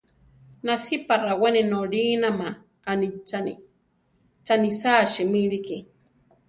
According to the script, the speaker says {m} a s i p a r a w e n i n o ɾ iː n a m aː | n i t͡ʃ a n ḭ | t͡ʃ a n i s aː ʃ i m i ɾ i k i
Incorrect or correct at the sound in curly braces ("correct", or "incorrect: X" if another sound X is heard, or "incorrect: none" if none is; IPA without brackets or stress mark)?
incorrect: n